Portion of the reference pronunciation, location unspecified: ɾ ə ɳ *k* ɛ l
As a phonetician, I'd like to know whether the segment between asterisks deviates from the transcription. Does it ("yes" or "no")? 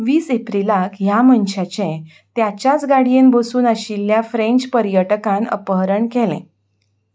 no